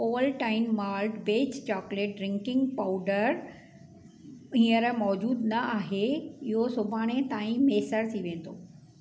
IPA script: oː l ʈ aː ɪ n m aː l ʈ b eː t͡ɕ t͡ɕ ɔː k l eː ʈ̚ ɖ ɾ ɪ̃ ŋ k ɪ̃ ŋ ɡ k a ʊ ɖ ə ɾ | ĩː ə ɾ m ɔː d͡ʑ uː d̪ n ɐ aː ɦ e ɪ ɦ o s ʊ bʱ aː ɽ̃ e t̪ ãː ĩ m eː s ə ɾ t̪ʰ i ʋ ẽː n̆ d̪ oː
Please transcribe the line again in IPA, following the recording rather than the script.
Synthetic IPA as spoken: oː l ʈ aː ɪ n m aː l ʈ b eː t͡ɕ t͡ɕ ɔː k l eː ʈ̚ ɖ ɾ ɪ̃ ŋ k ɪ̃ ŋ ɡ p a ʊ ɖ ə ɾ | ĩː ə ɾ m ɔː d͡ʑ uː d̪ n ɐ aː ɦ e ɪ ɦ o s ʊ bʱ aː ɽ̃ e t̪ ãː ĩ m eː s ə ɾ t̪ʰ i ʋ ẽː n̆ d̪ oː